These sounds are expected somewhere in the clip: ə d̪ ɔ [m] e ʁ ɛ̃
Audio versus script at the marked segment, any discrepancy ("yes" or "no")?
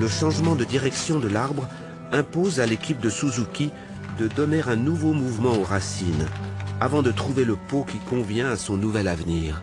yes